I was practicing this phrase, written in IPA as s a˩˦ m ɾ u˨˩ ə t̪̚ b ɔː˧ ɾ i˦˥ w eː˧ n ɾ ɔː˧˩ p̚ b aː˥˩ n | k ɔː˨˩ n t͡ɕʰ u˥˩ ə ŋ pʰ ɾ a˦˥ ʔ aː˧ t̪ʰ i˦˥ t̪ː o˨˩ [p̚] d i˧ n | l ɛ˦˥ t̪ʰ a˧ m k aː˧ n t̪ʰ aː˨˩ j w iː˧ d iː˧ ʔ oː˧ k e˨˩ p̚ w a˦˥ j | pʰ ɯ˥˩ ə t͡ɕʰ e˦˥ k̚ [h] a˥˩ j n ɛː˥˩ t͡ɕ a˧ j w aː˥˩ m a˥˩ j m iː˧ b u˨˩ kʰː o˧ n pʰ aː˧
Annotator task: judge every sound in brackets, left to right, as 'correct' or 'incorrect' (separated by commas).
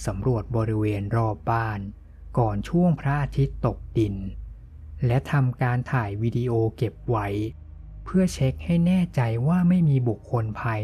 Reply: incorrect, correct